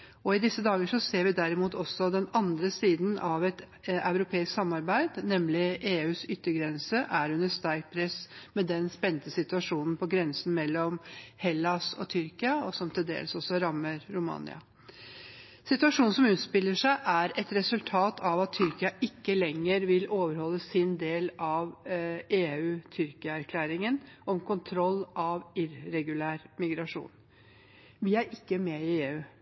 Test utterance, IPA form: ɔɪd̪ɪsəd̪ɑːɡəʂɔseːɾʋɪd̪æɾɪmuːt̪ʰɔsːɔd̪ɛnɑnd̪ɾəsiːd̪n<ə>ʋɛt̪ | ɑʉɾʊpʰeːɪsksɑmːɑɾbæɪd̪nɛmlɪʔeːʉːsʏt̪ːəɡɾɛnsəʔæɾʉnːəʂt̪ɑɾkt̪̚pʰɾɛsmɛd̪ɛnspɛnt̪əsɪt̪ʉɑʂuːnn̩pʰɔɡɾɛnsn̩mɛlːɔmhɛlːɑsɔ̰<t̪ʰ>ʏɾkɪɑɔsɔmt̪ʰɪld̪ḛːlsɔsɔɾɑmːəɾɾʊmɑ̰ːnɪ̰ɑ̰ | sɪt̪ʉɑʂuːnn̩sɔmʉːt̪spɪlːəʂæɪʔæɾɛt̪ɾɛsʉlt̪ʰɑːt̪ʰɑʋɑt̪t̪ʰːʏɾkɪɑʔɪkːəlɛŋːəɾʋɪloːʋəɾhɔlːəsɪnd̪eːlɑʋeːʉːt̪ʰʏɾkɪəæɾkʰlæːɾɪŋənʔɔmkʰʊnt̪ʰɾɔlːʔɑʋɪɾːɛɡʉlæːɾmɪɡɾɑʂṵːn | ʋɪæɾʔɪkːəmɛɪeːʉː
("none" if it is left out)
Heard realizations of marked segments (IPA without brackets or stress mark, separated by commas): ɑ, t̪ʰ